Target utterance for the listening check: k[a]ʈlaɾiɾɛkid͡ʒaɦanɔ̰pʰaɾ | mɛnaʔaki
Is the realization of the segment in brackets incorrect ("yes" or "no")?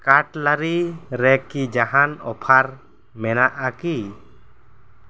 no